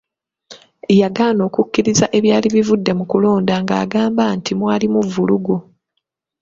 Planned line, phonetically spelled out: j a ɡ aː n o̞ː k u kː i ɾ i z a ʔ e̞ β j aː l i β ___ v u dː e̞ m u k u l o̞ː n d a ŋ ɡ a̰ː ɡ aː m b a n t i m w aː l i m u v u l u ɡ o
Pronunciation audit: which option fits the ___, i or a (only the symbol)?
i